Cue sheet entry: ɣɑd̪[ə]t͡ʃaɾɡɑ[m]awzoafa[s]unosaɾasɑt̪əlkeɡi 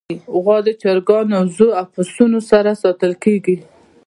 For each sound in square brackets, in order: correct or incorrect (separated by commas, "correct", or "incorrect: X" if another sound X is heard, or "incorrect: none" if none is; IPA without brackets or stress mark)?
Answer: correct, incorrect: n, correct